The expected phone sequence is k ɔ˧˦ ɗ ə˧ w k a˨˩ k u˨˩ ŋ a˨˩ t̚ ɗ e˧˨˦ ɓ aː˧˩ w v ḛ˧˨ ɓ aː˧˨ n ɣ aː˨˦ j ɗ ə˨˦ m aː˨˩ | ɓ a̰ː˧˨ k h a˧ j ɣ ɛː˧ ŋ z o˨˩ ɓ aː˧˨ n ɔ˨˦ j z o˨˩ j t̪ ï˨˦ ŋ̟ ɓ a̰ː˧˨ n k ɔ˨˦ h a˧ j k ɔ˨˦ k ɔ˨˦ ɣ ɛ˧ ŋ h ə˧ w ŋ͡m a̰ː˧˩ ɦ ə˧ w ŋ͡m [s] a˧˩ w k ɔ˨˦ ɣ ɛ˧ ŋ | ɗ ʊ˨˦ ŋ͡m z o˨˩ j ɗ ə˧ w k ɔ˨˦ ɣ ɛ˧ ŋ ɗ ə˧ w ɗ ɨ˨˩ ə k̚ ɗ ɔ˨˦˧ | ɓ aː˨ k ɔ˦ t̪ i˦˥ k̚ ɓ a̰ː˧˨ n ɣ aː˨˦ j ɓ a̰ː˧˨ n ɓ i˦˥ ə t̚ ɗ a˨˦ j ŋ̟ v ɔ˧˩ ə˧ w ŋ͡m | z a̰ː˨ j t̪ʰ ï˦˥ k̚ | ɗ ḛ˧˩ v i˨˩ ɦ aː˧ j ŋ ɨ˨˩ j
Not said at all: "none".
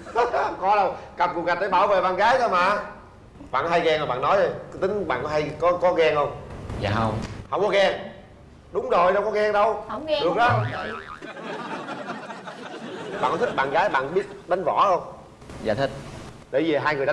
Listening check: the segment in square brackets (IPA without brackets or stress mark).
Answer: h